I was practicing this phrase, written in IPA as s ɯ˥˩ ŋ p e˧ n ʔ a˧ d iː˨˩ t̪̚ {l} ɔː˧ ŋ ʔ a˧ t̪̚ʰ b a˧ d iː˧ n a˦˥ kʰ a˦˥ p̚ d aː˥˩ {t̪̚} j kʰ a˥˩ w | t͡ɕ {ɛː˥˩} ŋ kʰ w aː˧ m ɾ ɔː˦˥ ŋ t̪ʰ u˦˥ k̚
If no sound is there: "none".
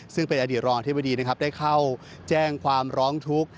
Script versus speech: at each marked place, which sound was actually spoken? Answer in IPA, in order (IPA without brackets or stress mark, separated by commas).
ɾ, none, ɛː˥˩